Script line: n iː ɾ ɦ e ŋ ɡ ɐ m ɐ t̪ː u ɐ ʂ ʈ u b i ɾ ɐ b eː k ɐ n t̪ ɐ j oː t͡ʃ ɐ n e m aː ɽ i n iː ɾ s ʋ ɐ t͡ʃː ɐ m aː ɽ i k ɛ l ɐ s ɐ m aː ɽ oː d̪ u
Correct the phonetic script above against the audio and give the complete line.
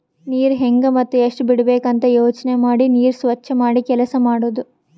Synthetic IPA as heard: n iː ɾ ɦ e ŋ ɡ ɐ m ɐ t̪ː u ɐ ʂ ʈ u b i ɽ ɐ b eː k ɐ n t̪ ɐ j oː t͡ʃ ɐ n e m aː ɽ i n iː ɾ s ʋ ɐ t͡ʃː ɐ m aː ɽ i k ɛ l ɐ s ɐ m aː ɽ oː d̪ u